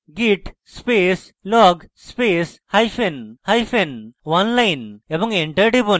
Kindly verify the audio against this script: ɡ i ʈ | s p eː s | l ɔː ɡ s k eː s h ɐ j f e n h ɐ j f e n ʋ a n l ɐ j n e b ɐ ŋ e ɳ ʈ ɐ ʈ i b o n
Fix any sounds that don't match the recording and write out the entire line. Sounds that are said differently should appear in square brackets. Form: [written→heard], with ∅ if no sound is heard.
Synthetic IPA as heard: ɡ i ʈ | s p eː s | l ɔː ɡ s [k→p] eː s h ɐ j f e n h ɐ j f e n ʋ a n l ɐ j n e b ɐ ŋ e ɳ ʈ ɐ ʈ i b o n

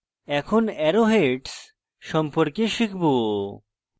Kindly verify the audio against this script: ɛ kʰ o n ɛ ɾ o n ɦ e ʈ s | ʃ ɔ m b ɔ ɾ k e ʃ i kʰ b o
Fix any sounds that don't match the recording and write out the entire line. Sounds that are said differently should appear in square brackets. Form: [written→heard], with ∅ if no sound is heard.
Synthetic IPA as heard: ɛ kʰ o n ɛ ɾ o [n→∅] ɦ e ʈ s | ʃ ɔ m [b→p] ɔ ɾ k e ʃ i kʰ b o

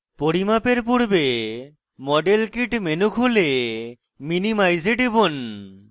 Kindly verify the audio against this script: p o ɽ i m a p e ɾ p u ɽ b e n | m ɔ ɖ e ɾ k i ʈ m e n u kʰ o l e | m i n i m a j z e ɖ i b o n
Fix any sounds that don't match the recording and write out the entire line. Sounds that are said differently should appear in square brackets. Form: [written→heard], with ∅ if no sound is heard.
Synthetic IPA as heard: p o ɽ i m a p e ɾ p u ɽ b e [n→∅] | m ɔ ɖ e [ɾ→l] k i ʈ m e n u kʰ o l e | m i n i m a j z e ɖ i b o n

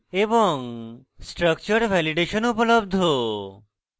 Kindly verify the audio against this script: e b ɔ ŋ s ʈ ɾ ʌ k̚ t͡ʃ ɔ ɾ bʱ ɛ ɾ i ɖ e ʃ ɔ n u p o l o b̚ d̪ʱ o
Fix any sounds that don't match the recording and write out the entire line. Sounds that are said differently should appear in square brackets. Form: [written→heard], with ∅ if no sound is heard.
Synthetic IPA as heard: e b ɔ ŋ s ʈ ɾ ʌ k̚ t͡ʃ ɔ ɾ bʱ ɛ [ɾ→l] i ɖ e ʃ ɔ n u p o l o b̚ d̪ʱ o

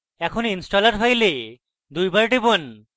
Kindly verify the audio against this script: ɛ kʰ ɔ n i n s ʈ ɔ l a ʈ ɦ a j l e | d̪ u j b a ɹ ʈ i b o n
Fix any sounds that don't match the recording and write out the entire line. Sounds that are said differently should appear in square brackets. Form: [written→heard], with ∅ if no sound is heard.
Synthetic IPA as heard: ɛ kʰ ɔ n i n s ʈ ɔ l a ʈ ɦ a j l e | d̪ u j b a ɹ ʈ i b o n

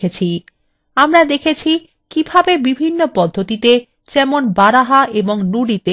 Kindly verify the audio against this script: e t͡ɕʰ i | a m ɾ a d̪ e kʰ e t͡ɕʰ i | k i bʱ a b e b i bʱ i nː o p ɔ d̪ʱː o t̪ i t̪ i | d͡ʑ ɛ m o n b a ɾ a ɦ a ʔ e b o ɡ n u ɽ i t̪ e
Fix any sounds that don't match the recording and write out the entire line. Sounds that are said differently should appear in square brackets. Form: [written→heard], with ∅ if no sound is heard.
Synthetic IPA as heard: e t͡ɕʰ i | a m ɾ a d̪ e kʰ e t͡ɕʰ i | k i bʱ a b e b i bʱ i nː o p ɔ d̪ʱː o t̪ i t̪ [i→e] | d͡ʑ ɛ m o n b a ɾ a ɦ a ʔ e b o [ɡ→ŋ] n u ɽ i t̪ e

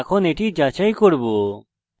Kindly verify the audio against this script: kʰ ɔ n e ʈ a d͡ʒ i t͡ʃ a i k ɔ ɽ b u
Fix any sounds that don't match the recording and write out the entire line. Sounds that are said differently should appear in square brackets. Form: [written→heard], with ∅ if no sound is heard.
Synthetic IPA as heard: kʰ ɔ n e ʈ [a→i] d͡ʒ [i→a] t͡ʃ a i k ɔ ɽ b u

